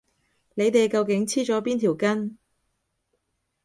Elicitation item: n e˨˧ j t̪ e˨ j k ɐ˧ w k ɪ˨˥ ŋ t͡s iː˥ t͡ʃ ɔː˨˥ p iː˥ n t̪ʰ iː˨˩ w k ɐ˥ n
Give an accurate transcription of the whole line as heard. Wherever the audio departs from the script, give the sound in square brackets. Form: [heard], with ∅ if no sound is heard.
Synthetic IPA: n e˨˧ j t̪ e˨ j k ɐ˧ w k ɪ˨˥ ŋ [t͡sʰ] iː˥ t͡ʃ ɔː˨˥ p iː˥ n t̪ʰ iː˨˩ w k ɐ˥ n